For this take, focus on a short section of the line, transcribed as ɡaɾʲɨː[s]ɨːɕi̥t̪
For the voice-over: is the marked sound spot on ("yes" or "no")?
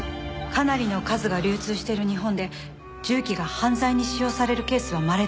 no